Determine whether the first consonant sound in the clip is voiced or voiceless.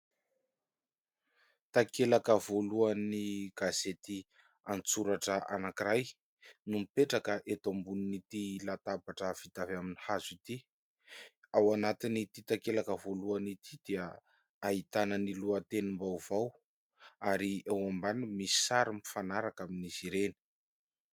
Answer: voiceless